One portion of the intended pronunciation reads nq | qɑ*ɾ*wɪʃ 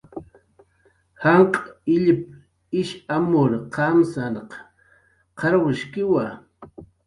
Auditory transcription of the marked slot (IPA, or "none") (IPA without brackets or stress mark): ɾ